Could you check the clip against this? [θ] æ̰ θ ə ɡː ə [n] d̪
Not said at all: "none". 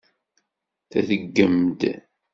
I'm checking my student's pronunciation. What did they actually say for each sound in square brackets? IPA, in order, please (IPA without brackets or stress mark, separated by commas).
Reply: θ, m